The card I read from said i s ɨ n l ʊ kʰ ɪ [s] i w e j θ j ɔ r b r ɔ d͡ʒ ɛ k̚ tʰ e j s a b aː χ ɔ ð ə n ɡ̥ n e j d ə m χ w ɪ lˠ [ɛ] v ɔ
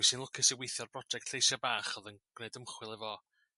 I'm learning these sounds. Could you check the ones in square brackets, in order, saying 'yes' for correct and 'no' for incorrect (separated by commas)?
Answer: yes, yes